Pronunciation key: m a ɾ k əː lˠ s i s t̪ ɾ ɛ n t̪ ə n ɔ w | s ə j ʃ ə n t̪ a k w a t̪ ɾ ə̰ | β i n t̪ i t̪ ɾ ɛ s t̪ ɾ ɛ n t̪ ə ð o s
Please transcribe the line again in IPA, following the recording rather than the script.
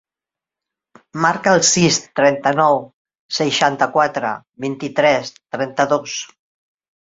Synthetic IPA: m a ɾ k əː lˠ s i s t̪ ɾ ɛ n t̪ ə n ɔ w | s ə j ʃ a n t̪ ə k w a t̪ ɾ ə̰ | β i n t̪ i t̪ ɾ ɛ s t̪ ɾ ɛ n t̪ ə ð o s